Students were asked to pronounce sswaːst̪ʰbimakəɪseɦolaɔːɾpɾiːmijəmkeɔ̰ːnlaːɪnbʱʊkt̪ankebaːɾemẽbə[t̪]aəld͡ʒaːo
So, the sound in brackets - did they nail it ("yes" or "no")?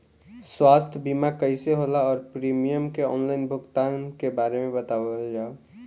yes